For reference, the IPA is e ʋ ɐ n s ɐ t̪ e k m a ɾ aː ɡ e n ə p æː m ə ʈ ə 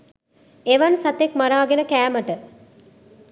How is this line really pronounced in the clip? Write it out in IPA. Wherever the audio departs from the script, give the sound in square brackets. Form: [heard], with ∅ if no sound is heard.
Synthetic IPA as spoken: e ʋ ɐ n s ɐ t̪ e k m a ɾ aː ɡ e n ə [k] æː m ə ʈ ə